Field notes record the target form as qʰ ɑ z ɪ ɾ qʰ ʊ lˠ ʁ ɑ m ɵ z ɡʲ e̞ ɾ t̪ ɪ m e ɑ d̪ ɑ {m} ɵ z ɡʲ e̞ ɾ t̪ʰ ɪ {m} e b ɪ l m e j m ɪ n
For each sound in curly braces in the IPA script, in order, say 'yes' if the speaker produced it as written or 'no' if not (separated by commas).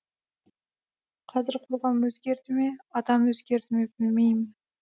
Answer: yes, yes